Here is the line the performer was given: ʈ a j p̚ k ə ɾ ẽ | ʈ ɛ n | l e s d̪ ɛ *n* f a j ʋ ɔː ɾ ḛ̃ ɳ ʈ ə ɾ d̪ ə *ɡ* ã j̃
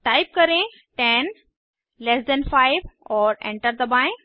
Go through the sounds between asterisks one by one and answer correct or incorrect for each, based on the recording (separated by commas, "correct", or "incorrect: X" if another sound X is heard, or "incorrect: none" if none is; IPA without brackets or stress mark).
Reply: correct, incorrect: b